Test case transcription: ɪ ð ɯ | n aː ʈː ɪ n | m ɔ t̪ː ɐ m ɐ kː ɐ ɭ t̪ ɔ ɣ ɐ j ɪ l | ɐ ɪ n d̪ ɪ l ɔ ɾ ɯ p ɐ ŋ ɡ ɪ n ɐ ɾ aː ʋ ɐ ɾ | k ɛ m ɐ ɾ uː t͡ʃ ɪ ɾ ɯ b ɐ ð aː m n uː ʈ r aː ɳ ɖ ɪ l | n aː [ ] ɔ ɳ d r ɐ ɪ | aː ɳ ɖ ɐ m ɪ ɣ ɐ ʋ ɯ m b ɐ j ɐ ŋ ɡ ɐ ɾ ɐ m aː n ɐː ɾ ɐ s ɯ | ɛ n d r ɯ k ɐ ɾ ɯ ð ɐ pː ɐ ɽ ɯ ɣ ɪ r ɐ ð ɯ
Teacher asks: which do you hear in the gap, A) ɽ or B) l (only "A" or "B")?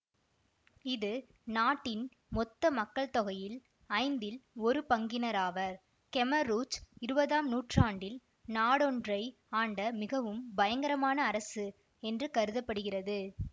A